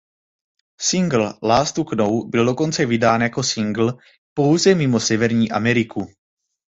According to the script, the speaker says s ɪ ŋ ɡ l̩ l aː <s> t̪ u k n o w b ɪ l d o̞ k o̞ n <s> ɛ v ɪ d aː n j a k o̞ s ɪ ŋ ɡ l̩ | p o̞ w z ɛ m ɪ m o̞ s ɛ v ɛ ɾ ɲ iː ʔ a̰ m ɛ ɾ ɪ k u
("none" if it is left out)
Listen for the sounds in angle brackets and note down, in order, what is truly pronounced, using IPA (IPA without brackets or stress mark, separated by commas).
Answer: s, t͡s